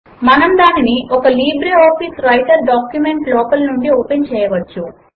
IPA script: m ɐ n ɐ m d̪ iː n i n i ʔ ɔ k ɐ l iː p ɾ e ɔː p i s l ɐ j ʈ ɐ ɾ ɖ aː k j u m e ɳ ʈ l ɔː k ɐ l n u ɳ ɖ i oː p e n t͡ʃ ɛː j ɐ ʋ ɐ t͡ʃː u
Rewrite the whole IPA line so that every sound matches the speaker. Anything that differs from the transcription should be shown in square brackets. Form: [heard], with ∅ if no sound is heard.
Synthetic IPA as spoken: m ɐ n ɐ m d̪ [aː] n i n i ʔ ɔ k ɐ l iː [b] ɾ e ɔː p i s [ɾ] ɐ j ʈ ɐ ɾ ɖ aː k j u m e ɳ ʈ l ɔː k ɐ l n u ɳ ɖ i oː p e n t͡ʃ ɛː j ɐ ʋ ɐ t͡ʃː u